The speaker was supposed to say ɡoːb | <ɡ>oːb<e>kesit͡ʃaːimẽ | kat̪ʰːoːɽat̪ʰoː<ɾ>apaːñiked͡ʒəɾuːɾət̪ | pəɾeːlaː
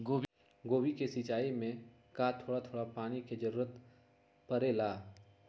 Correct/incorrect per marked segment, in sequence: correct, incorrect: i, incorrect: ɽ

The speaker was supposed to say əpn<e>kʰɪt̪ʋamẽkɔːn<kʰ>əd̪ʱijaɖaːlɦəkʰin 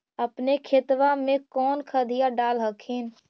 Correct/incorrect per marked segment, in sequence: correct, correct

